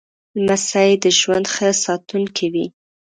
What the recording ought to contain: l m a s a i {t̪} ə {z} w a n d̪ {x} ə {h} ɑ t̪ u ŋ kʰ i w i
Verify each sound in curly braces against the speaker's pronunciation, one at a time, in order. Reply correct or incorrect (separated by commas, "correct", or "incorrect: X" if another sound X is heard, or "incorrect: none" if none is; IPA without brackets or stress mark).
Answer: incorrect: d̪, incorrect: ʒ, correct, incorrect: s